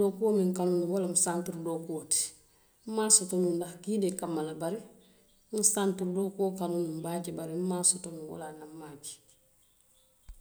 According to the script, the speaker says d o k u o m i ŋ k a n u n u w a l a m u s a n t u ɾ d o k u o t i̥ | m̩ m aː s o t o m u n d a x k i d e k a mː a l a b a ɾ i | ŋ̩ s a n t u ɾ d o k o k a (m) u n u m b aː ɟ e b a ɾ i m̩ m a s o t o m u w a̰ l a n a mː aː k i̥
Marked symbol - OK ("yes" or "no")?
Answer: no